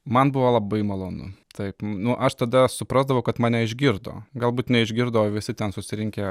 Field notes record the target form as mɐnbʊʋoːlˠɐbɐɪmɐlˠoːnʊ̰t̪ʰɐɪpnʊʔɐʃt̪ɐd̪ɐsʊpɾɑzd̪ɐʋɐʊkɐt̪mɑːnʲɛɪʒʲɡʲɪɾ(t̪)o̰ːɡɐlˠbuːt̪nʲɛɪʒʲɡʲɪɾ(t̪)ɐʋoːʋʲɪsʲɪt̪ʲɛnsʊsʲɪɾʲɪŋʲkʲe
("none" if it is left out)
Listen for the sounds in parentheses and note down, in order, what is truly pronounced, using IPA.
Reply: d̪, d̪

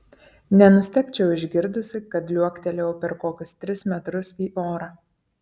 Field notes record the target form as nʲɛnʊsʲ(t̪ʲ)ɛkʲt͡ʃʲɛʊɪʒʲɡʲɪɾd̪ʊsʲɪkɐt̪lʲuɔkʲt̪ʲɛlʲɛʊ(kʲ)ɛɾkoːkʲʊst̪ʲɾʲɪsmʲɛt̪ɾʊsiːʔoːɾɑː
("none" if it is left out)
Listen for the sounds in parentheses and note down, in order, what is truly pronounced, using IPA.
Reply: t̪ʲ, pʲ

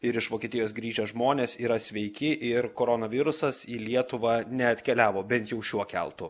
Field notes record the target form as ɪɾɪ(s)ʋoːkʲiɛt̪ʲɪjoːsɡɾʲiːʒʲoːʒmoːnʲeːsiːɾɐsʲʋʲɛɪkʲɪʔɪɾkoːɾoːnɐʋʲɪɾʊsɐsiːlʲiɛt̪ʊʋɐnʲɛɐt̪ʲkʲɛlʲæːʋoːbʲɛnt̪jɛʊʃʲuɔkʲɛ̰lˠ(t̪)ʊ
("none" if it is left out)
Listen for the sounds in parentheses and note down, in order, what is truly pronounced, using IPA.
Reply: ʃ, t̪

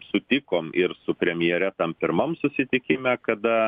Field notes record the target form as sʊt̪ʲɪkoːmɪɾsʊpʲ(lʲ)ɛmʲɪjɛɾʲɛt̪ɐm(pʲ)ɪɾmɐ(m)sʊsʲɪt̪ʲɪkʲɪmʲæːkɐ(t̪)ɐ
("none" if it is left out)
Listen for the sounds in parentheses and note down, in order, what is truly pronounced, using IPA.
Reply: ɾʲ, pʲ, m, d̪

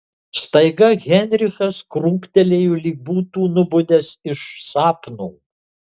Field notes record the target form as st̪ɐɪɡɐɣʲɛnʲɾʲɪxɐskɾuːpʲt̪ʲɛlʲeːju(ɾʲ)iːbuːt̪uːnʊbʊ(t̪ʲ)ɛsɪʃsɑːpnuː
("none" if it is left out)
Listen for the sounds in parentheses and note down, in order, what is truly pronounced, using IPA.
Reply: lʲ, d̪ʲ

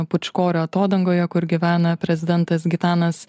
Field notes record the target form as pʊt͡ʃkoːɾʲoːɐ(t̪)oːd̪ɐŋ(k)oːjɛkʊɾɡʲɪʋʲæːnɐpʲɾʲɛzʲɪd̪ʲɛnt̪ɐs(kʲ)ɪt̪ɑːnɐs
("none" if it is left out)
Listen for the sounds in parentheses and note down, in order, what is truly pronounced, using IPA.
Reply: t̪, ɡ, ɡʲ

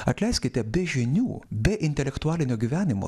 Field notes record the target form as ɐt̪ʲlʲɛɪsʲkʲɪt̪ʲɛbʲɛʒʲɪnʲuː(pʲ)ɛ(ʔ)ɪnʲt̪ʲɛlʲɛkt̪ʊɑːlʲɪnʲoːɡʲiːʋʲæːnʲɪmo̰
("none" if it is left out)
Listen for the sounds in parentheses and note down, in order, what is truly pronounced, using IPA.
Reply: bʲ, ʔ

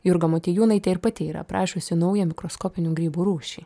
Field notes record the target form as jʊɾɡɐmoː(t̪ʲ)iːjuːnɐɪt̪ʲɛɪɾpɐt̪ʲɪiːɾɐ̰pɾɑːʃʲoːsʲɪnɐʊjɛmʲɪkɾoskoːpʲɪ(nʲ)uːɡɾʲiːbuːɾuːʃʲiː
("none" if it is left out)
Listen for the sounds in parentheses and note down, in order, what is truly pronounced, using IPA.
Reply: t̪ʲ, nʲ

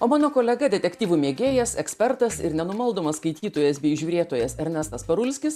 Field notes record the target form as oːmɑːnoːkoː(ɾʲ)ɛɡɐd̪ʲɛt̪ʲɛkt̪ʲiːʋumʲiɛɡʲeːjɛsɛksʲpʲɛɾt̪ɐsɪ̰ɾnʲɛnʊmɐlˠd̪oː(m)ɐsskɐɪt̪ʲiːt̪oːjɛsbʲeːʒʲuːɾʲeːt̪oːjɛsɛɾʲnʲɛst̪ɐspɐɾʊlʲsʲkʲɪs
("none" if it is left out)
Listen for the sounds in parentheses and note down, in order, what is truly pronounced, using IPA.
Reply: lʲ, m

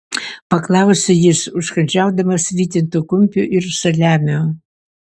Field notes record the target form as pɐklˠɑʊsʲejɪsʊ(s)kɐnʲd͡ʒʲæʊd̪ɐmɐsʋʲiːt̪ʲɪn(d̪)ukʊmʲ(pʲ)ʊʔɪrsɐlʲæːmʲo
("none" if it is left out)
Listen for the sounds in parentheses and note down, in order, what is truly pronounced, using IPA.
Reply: ʃ, t̪, pʲ

